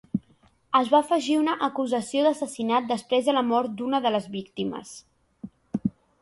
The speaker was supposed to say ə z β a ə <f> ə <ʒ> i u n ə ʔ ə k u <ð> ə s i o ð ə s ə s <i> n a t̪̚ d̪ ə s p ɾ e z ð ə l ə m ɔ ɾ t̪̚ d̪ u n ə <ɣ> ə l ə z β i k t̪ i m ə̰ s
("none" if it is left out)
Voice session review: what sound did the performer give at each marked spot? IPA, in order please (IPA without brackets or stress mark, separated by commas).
f, ʒ, z, i, ð